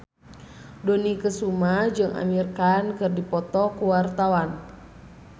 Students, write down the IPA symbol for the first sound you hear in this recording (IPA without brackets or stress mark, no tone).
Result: d